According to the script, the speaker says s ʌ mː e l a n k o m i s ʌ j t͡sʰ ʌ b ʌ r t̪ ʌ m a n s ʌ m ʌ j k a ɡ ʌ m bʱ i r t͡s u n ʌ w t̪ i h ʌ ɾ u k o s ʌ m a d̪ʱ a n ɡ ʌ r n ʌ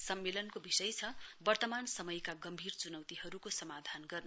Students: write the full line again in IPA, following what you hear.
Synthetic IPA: s ʌ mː e l ʌ n k o b i s ʌ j t͡sʰ ʌ b ʌ r t̪ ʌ m a n s ʌ m ʌ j k a ɡ ʌ m bʱ i r t͡s u n ʌ w t̪ i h ʌ ɾ u k o s ʌ m a d̪ʱ a n ɡ ʌ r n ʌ